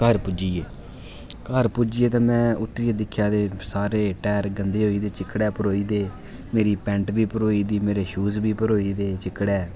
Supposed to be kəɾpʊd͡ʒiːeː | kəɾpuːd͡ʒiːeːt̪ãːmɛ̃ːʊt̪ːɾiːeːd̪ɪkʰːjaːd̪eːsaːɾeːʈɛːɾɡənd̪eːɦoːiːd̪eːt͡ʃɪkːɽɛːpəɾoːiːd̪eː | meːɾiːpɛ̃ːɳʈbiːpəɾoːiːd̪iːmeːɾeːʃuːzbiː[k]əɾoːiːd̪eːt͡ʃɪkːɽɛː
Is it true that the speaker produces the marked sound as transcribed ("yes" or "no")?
no